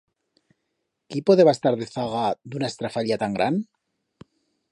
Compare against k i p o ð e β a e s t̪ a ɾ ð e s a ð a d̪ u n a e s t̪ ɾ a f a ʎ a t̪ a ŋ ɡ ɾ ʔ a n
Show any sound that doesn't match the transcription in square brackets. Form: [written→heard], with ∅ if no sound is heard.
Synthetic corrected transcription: k i p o ð e β a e s t̪ a ɾ ð e [s→θ] a [ð→ɣ] a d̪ u n a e s t̪ ɾ a f a ʎ a t̪ a ŋ ɡ ɾ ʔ a n